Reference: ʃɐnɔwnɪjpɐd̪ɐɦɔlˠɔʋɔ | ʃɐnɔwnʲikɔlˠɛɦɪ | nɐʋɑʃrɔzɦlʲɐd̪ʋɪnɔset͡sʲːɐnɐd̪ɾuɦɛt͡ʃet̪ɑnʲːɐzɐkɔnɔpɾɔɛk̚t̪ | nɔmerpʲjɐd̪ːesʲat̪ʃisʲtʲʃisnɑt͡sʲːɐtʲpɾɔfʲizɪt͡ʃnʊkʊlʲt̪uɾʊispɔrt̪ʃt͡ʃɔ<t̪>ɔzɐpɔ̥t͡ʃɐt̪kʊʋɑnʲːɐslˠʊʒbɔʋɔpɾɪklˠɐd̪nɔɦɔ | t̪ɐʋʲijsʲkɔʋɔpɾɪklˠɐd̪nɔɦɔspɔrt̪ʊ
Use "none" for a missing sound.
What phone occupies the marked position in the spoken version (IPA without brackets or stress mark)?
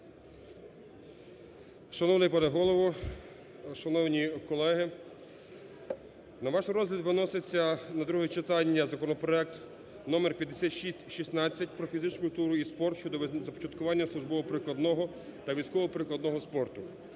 d̪